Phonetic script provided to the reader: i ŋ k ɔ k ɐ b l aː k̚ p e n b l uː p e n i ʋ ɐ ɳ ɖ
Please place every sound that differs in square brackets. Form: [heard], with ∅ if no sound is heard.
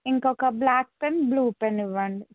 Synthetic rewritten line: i ŋ k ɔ k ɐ b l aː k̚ p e n b l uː p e n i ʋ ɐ ɳ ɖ

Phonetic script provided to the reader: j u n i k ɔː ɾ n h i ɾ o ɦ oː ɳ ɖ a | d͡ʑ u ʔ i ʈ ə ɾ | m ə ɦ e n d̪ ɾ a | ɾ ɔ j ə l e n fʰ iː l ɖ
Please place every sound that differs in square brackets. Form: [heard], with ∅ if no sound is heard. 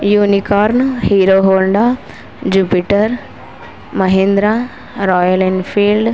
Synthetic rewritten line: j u n i k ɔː ɾ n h i ɾ o ɦ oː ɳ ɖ a | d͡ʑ u [p] i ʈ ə ɾ | m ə ɦ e n d̪ ɾ a | ɾ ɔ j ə l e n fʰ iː l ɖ

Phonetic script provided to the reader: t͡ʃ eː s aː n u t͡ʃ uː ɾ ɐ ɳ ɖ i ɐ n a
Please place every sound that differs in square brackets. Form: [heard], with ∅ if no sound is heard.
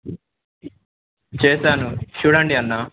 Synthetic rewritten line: t͡ʃ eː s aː n u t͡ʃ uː [ɽ] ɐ ɳ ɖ i ɐ [nː] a

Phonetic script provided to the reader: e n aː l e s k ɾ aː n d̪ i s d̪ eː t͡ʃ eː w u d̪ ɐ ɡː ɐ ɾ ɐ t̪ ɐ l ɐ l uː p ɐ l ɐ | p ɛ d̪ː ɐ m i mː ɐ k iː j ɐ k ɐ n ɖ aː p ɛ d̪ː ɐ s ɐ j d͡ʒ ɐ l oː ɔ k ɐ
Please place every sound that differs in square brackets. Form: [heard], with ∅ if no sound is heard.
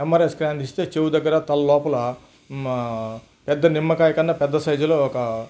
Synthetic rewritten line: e [m] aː [ɾ] e s k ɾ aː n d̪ i s [t̪] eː t͡ʃ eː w u d̪ ɐ ɡː ɐ ɾ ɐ t̪ ɐ l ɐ l [ɔː] p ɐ l ɐ | p ɛ d̪ː ɐ [n] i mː ɐ k [aː] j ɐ k ɐ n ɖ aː p ɛ d̪ː ɐ s ɐ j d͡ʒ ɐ l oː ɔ k ɐ

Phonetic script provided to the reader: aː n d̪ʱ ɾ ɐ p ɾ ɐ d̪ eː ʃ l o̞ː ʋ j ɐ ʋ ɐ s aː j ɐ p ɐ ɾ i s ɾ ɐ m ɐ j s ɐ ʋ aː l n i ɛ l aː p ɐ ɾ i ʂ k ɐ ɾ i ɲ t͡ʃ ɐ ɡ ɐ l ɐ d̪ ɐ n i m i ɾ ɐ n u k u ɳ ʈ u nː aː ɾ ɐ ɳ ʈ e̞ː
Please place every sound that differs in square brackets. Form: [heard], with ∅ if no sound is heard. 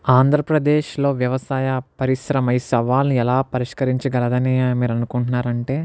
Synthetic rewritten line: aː n d̪ʱ ɾ ɐ p ɾ ɐ d̪ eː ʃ l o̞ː ʋ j ɐ ʋ ɐ s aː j ɐ p ɐ ɾ i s ɾ ɐ m ɐ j s ɐ ʋ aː l n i ɛ l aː p ɐ ɾ i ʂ k ɐ ɾ i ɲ t͡ʃ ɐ ɡ ɐ l ɐ d̪ ɐ n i m [iː] ɾ ɐ n u k u ɳ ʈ u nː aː ɾ ɐ ɳ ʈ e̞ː

